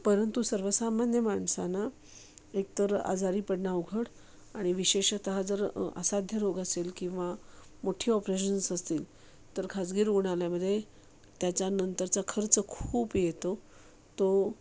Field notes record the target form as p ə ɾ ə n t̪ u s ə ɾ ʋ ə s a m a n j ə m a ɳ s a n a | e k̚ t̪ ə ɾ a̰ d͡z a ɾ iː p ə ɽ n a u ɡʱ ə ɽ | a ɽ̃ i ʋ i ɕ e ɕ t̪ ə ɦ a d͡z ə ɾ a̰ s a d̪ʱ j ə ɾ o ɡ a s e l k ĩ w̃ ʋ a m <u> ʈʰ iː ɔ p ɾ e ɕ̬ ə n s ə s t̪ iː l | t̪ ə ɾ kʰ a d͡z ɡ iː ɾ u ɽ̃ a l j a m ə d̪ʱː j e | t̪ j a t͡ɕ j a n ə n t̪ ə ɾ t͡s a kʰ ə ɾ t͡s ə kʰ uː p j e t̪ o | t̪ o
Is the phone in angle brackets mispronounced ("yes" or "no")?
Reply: yes